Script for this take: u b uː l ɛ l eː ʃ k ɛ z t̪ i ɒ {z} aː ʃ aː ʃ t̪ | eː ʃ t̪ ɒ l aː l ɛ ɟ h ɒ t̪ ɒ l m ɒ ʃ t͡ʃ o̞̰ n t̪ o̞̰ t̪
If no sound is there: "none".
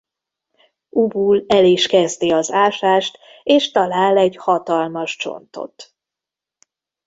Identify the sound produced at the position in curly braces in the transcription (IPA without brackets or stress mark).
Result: z